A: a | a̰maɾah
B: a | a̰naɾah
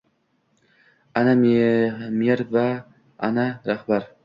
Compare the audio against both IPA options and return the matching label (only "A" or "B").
B